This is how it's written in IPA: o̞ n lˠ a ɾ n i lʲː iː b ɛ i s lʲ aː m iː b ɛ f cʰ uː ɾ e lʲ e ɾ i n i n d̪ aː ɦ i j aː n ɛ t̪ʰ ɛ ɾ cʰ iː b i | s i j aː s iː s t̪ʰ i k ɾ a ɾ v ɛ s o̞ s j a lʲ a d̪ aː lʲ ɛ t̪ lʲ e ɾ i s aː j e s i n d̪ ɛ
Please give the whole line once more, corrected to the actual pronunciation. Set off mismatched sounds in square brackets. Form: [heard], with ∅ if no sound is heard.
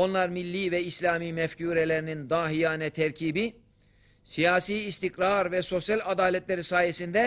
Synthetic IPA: o̞ n lˠ a ɾ [m] i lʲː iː [v] ɛ i s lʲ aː m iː [m] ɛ f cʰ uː ɾ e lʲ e ɾ i n i n d̪ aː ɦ i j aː n ɛ t̪ʰ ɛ ɾ cʰ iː b i | s i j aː s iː s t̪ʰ i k ɾ a ɾ v ɛ s o̞ s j a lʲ a d̪ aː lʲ ɛ t̪ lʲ e ɾ i s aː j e s i n d̪ ɛ